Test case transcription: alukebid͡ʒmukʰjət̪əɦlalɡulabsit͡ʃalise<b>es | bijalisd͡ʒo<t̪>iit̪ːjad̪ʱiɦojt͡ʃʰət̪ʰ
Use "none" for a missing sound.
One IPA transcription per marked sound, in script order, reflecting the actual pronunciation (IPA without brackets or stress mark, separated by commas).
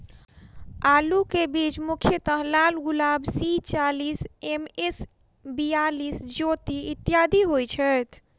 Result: m, t̪